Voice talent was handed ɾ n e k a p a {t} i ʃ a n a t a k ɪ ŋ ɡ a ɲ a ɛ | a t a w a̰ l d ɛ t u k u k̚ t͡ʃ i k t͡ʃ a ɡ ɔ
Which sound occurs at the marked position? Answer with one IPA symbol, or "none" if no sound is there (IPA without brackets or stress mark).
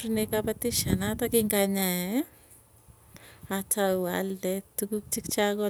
t